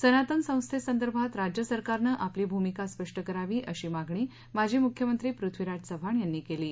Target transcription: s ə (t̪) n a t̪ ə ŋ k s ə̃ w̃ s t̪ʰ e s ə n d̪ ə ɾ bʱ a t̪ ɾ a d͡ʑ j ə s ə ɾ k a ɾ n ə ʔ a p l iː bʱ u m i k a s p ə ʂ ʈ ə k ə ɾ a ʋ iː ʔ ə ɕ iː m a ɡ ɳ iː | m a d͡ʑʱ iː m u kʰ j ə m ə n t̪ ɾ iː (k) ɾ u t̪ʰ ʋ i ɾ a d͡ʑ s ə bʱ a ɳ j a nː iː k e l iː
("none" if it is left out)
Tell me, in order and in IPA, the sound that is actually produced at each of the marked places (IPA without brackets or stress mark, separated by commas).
none, p